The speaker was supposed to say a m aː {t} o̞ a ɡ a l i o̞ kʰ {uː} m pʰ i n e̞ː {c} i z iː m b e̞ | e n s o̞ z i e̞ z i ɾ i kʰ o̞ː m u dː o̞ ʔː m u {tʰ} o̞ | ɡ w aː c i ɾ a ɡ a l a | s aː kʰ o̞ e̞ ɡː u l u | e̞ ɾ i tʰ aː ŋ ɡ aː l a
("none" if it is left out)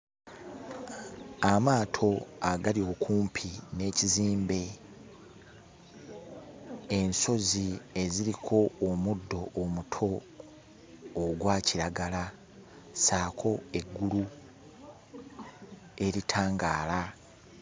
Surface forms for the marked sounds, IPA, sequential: tʰ, uː, c, tʰ

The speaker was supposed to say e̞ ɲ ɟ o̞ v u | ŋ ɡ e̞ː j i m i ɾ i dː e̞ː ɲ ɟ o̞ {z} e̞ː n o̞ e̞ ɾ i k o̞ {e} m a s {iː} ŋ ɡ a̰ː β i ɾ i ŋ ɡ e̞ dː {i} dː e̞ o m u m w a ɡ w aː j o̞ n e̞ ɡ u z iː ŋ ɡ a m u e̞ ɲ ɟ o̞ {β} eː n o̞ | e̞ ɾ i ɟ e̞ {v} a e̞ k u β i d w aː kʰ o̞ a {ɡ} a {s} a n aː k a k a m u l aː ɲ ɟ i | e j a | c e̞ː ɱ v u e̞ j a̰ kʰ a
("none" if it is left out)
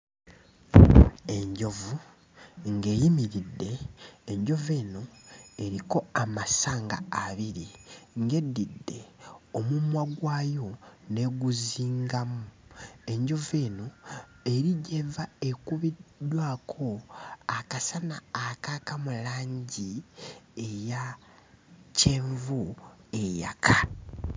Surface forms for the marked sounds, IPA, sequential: v, a, aː, i, v, v, k, s

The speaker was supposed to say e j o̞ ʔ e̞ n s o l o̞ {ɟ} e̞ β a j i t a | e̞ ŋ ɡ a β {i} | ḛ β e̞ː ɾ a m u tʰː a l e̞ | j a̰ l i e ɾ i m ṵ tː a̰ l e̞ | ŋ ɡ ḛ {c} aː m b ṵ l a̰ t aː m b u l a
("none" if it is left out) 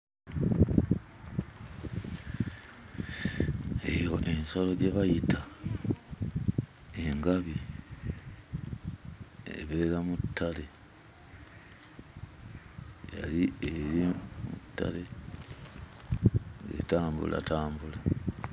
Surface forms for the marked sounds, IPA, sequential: ɟ, i, t

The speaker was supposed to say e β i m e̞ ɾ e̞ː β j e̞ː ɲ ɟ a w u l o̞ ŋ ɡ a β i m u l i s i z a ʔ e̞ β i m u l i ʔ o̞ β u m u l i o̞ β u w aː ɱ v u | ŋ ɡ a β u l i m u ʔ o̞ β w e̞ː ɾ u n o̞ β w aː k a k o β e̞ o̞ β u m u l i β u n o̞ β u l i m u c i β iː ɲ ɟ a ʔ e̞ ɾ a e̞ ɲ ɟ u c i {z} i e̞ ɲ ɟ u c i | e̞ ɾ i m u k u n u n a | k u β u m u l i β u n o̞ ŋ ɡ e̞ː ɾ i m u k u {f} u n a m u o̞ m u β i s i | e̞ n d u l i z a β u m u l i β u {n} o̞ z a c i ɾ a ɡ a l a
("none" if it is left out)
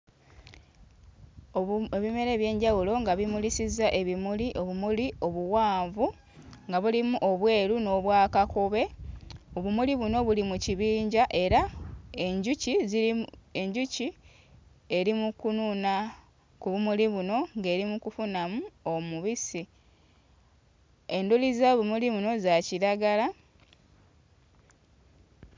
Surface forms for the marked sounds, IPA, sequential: z, f, n

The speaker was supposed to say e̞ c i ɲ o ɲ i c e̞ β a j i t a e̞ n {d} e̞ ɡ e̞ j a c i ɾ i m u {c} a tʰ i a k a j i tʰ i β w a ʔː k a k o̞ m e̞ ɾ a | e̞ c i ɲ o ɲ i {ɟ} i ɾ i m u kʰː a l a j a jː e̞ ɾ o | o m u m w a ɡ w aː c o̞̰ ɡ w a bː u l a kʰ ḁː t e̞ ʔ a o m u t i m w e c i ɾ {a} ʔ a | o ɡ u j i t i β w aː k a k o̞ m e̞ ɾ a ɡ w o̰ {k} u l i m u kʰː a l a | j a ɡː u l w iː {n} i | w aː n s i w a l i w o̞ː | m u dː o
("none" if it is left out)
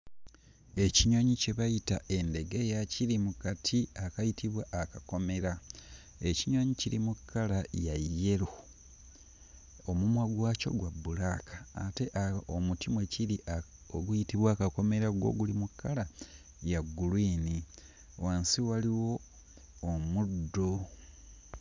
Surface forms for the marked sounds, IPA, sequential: d, k, c, i, ɡ, n

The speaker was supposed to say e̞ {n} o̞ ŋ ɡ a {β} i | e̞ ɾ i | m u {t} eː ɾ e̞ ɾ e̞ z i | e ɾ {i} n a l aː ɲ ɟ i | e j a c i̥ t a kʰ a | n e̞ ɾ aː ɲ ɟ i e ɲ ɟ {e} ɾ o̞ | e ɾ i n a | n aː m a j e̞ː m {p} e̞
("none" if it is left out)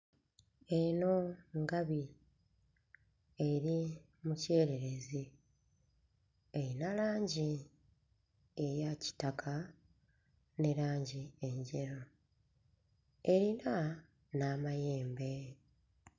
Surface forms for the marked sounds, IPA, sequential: n, β, c, i, e, b

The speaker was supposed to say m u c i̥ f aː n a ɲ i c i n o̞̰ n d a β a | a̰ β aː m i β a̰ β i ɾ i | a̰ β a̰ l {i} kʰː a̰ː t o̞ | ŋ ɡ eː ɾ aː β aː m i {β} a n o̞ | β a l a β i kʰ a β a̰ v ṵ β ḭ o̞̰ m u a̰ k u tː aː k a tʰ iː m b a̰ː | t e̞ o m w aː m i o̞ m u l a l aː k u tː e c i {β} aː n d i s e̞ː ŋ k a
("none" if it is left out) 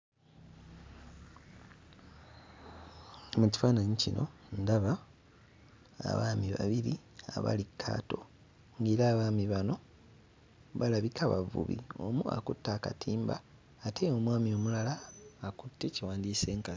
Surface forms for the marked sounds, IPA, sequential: i, β, w

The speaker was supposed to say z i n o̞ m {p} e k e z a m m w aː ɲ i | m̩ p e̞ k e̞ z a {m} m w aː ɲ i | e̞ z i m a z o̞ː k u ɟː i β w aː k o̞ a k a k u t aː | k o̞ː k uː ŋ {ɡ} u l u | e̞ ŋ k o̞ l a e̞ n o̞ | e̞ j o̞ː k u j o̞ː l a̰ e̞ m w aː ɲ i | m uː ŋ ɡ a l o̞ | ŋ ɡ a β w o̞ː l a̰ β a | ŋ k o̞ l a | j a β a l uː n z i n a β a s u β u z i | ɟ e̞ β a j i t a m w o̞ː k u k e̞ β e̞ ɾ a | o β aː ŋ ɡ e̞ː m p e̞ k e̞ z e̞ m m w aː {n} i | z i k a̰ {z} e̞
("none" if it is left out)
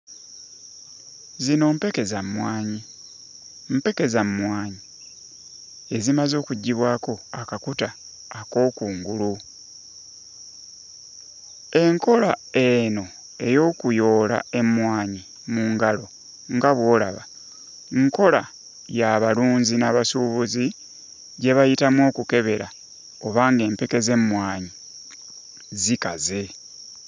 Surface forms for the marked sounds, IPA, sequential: p, m, ɡ, ɲ, z

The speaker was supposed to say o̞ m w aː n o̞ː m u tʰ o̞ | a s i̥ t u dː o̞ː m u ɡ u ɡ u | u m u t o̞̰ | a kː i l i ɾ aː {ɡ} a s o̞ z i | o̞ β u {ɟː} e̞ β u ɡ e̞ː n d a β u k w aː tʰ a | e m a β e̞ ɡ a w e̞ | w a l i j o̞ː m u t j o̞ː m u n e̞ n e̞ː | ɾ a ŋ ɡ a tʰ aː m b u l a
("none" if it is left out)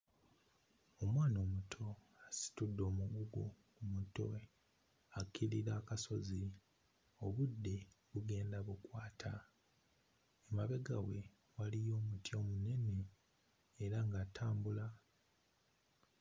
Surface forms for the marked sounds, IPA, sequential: k, dː

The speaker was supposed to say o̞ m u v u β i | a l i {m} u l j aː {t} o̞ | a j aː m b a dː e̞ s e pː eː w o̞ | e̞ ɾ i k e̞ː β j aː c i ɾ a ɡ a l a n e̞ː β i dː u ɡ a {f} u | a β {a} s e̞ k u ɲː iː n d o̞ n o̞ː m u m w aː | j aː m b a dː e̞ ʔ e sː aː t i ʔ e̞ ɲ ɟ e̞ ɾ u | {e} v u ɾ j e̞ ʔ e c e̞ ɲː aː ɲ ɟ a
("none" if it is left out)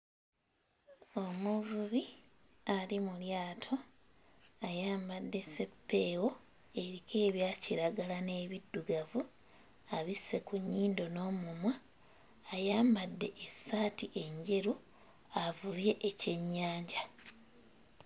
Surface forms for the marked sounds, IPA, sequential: m, tʰ, v, i, a

